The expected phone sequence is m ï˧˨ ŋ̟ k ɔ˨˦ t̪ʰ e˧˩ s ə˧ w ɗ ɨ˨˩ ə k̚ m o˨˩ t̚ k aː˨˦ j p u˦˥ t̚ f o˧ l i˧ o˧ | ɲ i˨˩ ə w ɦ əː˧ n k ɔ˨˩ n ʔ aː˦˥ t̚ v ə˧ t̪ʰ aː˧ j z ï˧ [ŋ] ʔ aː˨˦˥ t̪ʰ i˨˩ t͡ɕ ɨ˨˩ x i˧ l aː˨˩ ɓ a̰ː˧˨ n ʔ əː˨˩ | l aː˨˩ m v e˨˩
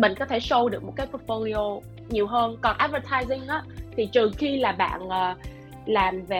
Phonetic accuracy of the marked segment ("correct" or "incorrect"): correct